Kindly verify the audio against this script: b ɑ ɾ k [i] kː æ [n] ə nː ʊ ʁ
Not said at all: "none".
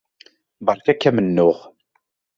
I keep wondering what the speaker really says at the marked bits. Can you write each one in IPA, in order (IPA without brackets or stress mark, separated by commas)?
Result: æ, m